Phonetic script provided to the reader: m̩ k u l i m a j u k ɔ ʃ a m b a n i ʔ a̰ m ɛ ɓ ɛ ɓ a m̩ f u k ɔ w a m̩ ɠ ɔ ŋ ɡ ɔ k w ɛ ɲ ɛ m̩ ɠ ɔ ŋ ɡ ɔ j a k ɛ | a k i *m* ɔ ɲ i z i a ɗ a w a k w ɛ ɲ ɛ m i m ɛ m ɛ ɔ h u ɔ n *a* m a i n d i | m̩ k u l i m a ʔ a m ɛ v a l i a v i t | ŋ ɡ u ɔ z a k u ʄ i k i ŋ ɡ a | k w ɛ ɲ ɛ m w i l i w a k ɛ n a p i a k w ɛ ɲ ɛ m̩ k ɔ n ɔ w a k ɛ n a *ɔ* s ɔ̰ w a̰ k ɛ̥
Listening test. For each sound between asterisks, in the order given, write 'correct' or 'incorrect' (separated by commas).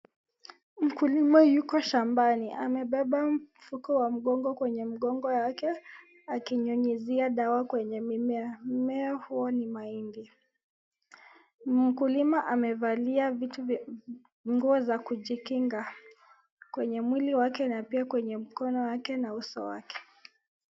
incorrect, incorrect, incorrect